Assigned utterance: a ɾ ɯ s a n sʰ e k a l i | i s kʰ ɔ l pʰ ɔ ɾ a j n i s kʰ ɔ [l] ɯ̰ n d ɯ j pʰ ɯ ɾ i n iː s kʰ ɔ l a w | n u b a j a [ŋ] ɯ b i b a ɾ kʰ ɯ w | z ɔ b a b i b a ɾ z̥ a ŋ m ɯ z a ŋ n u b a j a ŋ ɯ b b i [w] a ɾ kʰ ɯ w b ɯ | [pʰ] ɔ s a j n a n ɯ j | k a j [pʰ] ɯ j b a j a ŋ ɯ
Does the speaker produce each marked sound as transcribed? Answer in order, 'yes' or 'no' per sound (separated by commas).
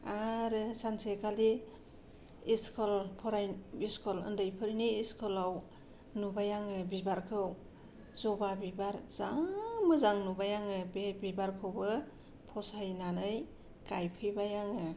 yes, yes, no, yes, yes